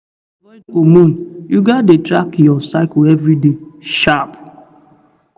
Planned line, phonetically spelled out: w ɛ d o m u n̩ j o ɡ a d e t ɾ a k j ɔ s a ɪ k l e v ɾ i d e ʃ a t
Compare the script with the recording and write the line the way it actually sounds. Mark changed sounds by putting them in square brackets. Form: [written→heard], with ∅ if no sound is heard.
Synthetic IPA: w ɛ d o m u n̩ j [o→u] ɡ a d e t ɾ a k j ɔ s a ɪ k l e v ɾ i d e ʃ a [t→p]